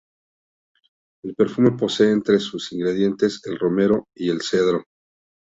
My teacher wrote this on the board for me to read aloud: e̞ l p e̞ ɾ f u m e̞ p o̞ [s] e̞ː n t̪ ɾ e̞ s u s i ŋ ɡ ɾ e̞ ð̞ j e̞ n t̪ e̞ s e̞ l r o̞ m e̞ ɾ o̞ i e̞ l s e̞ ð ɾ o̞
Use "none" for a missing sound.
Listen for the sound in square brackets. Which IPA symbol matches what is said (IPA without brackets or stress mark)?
s